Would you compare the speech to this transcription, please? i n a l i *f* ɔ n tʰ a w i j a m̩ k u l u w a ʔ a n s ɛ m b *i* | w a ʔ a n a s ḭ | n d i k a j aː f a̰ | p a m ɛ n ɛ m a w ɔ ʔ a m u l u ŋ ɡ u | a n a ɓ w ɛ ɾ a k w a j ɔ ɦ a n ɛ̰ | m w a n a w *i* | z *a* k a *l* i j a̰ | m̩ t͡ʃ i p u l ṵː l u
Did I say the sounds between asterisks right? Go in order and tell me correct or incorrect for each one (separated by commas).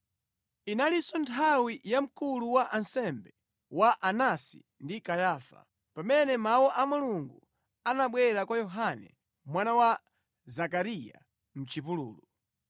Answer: incorrect, incorrect, incorrect, correct, incorrect